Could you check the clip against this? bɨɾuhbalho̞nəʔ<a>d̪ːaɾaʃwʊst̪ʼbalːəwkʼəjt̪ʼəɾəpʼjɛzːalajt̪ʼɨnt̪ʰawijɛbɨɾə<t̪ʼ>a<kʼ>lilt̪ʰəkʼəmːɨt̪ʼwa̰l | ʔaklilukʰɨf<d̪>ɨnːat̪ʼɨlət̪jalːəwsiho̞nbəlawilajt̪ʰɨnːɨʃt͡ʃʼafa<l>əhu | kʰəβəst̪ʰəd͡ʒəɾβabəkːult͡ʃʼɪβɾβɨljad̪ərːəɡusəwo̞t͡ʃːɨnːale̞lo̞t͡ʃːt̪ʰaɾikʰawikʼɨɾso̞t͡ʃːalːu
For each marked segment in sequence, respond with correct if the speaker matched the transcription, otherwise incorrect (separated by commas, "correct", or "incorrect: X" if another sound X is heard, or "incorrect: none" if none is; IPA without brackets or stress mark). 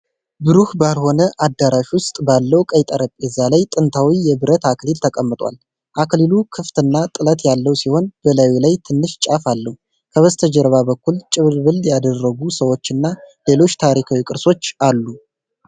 correct, incorrect: t̪, incorrect: k, incorrect: t̪, incorrect: lː